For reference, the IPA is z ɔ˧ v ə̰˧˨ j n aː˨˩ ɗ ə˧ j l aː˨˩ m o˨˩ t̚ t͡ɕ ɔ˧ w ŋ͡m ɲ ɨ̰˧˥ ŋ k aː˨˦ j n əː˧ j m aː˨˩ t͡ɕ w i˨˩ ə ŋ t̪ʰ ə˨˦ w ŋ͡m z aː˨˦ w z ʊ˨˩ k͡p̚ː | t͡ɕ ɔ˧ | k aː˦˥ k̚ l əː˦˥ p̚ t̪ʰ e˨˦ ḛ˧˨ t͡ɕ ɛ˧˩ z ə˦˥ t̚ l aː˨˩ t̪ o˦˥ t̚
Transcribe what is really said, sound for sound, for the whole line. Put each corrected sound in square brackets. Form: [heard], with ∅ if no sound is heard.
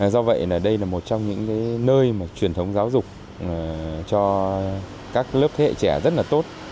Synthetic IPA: z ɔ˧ v ə̰˧˨ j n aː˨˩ ɗ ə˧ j l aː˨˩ m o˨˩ t̚ t͡ɕ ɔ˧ w ŋ͡m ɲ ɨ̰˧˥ ŋ k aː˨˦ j n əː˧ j m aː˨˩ t͡ɕ w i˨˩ ə [n] t̪ʰ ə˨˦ w ŋ͡m z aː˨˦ w z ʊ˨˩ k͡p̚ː | t͡ɕ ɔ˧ | k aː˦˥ k̚ l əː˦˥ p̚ t̪ʰ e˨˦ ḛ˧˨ t͡ɕ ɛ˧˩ z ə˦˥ t̚ l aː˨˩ t̪ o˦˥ t̚